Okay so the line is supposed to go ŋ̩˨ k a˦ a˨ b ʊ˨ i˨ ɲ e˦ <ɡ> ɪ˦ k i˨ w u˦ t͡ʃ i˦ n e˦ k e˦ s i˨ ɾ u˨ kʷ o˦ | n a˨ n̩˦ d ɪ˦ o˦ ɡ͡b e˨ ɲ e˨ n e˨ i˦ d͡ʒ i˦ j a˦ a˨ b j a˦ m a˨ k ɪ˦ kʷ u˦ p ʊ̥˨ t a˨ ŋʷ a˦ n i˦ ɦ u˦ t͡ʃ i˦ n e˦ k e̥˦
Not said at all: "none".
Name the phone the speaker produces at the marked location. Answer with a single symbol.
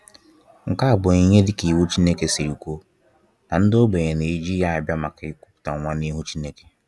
d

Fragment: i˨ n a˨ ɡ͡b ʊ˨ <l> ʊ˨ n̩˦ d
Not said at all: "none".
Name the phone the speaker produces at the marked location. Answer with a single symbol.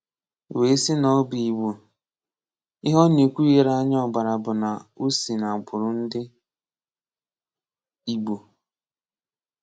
ɾ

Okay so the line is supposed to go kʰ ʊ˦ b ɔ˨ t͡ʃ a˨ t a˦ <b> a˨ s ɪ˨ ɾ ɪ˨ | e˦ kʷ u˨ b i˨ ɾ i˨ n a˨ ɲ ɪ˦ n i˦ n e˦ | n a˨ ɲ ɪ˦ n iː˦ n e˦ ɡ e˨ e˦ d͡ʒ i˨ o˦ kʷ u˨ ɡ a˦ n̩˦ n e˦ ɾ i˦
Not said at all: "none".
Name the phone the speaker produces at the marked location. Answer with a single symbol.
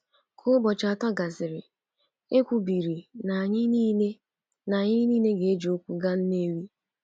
ɡ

